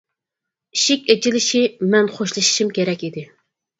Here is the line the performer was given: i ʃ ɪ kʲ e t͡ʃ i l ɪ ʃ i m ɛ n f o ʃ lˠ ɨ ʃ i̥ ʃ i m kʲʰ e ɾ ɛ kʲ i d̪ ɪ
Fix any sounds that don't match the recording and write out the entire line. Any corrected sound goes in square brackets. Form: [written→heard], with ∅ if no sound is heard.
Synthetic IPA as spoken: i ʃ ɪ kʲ e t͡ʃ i l ɪ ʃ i m ɛ n [f→χ] o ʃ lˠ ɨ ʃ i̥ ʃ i m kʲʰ e ɾ ɛ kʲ i d̪ ɪ

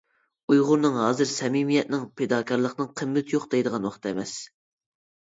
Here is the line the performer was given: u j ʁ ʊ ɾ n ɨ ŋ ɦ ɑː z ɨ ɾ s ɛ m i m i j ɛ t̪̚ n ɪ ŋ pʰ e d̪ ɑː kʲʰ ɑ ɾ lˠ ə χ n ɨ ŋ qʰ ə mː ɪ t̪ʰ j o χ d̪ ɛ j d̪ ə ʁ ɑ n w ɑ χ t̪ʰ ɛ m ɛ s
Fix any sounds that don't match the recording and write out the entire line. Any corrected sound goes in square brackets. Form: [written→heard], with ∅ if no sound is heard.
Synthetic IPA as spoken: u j ʁ ʊ ɾ n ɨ ŋ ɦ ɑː z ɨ ɾ s ɛ m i m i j ɛ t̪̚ n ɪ ŋ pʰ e d̪ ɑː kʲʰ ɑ ɾ lˠ ə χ n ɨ ŋ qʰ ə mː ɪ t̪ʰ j o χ d̪ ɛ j d̪ ə ʁ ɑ n w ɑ χ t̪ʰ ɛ m ɛ s

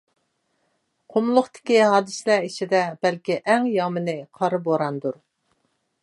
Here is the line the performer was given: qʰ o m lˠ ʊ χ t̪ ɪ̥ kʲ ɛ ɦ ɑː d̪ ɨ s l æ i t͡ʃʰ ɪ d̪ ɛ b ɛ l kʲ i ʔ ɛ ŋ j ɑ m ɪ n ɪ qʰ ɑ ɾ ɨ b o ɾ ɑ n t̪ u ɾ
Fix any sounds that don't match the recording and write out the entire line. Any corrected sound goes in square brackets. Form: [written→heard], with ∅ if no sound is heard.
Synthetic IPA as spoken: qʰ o m lˠ ʊ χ t̪ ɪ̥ kʲ [ɛ→i] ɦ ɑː d̪ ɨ s l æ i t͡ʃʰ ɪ d̪ ɛ b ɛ l kʲ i ʔ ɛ ŋ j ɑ m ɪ n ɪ qʰ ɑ ɾ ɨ b o ɾ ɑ n [t̪→d̪] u ɾ

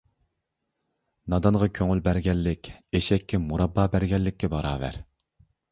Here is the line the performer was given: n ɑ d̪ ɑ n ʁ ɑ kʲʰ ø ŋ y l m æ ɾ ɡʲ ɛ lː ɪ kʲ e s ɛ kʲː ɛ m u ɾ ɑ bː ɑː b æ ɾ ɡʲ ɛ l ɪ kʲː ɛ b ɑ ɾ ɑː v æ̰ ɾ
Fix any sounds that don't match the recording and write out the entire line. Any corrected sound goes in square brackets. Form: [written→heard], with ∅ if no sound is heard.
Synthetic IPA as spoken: n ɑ d̪ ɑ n ʁ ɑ kʲʰ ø ŋ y l [m→b] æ ɾ ɡʲ ɛ lː ɪ kʲ e [s→ʃ] ɛ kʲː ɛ m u ɾ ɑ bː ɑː b æ ɾ ɡʲ ɛ [l→lː] ɪ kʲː ɛ b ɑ ɾ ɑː v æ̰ ɾ

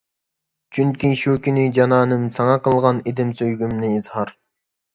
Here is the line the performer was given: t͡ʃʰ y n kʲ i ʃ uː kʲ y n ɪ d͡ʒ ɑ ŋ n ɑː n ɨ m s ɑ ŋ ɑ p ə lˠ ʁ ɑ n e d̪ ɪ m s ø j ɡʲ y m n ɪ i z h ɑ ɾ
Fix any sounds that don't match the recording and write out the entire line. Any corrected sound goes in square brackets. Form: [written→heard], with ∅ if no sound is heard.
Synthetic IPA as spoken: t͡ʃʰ y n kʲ i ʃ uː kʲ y n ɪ d͡ʒ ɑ [ŋ→∅] n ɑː n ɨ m s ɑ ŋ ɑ [p→q] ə lˠ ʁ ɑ n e d̪ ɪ m s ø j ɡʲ y m n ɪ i z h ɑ ɾ

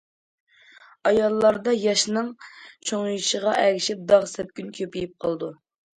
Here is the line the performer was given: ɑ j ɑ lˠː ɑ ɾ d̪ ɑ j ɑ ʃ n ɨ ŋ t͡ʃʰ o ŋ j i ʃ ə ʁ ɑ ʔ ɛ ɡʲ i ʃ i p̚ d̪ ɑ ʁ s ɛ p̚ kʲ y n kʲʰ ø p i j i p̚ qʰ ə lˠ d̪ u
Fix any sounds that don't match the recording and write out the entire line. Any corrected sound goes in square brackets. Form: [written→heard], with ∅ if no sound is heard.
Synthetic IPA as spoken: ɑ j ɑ lˠː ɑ ɾ d̪ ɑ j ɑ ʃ n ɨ ŋ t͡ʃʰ o ŋ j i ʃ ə ʁ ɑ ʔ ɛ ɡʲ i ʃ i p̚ d̪ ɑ ʁ s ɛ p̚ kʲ y n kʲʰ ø p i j i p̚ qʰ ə lˠ d̪ u

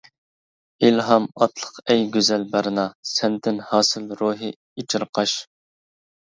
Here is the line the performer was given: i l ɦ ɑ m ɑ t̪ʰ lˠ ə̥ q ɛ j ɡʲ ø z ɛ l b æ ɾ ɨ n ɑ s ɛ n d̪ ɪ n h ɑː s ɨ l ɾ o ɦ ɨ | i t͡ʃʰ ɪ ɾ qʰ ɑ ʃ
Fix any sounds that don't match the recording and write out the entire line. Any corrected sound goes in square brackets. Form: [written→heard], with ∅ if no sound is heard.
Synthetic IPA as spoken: i l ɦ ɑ m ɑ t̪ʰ lˠ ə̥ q ɛ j ɡʲ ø z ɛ l b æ ɾ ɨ n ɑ s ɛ n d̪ ɪ n h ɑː s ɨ l ɾ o ɦ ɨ | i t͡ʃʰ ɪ ɾ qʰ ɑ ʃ

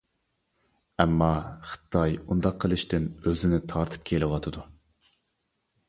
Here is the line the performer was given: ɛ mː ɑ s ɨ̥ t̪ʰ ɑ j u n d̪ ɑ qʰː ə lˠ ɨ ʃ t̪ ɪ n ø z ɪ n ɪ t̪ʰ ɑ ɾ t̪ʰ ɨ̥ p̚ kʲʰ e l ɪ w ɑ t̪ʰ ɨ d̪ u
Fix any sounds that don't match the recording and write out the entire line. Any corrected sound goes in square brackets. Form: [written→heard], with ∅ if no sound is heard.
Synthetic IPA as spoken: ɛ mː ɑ [s→χ] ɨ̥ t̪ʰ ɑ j u n d̪ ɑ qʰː ə lˠ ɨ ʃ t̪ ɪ n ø z ɪ n ɪ t̪ʰ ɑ ɾ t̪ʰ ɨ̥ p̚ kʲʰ e l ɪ w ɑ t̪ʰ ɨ d̪ u

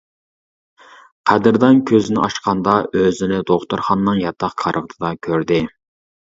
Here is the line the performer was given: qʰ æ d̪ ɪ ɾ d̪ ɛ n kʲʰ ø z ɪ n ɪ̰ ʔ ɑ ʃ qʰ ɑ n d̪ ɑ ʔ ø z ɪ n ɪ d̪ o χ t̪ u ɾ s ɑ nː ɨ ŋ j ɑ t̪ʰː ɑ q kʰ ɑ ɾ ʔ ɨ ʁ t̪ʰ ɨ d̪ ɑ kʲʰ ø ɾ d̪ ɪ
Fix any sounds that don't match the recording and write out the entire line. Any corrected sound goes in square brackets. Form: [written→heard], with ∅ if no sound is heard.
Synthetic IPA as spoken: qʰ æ d̪ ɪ ɾ d̪ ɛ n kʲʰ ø z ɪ n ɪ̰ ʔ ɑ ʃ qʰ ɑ n d̪ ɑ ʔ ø z ɪ n ɪ d̪ o χ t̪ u ɾ [s→χ] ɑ nː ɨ ŋ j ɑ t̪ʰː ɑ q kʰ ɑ ɾ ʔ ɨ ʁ t̪ʰ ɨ d̪ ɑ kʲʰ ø ɾ d̪ ɪ

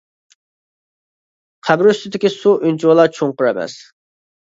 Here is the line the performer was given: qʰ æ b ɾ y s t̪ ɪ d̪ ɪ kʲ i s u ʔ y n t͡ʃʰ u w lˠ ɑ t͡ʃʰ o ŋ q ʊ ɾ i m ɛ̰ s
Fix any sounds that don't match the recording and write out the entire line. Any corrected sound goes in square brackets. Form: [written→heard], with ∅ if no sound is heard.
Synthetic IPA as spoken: qʰ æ b ɾ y s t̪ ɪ d̪ ɪ kʲ i s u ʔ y n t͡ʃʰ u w lˠ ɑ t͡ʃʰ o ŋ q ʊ ɾ [i→ɛ] m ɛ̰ s

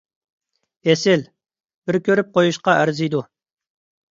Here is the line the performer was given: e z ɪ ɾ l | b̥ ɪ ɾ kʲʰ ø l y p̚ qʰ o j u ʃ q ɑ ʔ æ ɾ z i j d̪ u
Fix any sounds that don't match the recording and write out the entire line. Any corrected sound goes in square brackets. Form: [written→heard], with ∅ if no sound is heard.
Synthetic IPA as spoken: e [z→s] ɪ [ɾ→∅] l | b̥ ɪ ɾ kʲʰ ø [l→ɾ] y p̚ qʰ o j u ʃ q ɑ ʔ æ ɾ z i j d̪ u

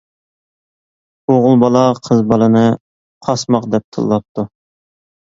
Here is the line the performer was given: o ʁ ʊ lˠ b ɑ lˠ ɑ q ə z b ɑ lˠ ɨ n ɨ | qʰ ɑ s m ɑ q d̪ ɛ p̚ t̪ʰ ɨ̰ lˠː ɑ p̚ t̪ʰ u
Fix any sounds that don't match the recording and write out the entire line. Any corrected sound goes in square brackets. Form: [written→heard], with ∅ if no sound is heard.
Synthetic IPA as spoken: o ʁ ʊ lˠ b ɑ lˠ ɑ [q→qʰ] ə z b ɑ lˠ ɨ n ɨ | qʰ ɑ s m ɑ q d̪ ɛ p̚ t̪ʰ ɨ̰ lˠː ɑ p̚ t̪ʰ u

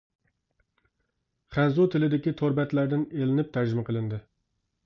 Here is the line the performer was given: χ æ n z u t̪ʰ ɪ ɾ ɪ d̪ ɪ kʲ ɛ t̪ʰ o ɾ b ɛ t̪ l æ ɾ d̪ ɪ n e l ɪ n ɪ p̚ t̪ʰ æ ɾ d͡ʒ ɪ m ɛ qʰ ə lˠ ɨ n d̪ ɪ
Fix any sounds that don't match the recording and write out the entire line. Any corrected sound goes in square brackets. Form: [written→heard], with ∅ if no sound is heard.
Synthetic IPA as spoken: χ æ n z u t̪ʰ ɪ [ɾ→l] ɪ d̪ ɪ kʲ [ɛ→i] t̪ʰ o ɾ b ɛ t̪ l æ ɾ d̪ ɪ n e l ɪ n ɪ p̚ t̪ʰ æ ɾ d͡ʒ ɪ m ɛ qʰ ə lˠ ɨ n d̪ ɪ

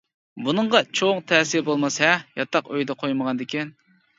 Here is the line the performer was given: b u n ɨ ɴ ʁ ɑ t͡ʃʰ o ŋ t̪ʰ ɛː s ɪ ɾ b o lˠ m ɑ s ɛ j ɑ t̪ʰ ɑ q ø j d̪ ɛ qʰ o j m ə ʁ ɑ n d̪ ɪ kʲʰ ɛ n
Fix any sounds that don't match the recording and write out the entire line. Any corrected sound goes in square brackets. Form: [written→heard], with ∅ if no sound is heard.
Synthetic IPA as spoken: b u n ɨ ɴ ʁ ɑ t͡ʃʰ o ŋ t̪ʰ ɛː s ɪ ɾ b o lˠ m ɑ s ɛ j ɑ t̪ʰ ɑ q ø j d̪ ɛ qʰ o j m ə ʁ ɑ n d̪ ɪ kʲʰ ɛ n

